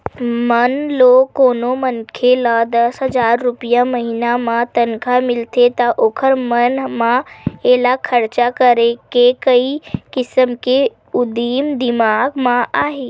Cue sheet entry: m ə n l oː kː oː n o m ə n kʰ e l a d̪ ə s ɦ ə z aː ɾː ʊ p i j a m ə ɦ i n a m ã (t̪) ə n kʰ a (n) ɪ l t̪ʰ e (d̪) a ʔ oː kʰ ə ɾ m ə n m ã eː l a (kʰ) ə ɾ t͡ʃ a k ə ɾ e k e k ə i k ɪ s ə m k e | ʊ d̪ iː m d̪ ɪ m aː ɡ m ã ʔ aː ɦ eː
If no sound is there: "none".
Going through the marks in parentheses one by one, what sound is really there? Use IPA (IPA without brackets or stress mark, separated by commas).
t̪, m, t̪, kʰ